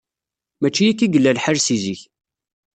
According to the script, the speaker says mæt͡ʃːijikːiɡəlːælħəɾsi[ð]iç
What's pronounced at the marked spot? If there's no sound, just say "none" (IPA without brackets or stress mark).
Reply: z